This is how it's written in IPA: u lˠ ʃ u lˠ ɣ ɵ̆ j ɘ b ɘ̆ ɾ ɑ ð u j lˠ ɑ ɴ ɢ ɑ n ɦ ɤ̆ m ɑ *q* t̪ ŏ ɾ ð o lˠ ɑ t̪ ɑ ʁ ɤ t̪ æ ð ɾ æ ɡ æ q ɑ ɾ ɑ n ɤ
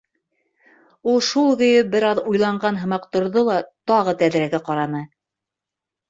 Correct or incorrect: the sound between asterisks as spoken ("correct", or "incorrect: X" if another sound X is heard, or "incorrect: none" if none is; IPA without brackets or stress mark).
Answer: correct